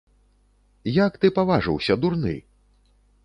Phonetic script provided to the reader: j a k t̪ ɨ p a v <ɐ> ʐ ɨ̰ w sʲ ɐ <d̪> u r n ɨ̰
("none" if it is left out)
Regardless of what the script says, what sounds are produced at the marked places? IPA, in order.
a, d̪

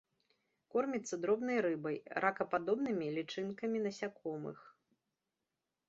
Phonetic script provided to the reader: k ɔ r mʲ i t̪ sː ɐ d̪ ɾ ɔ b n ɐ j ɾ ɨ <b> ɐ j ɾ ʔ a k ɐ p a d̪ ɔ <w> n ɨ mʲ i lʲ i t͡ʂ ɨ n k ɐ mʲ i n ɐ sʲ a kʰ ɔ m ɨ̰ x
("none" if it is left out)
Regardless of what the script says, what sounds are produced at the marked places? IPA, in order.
b, b

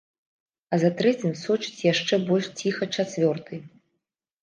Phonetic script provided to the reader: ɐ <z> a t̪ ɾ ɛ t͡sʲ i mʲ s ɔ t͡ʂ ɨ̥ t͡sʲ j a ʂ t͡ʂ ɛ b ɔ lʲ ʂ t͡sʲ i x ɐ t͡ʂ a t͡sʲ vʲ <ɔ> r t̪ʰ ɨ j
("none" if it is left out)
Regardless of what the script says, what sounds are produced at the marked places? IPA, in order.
z, ɔ

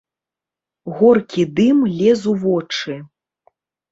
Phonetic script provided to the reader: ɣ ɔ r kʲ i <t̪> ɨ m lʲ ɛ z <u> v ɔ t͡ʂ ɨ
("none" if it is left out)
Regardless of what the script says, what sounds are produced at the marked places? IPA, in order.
d̪, u

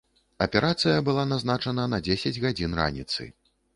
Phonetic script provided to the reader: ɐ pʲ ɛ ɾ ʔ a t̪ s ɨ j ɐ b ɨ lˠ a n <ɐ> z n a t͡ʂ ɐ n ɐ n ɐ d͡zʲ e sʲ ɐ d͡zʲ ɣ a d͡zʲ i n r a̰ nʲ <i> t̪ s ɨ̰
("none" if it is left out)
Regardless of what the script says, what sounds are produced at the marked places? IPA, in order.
a, i

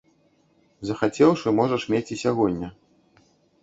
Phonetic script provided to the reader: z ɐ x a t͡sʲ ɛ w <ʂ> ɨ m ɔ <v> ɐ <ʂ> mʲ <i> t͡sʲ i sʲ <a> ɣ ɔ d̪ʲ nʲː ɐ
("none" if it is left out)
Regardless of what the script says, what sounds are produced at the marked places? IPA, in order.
ʂ, ʐ, ʂ, e, a

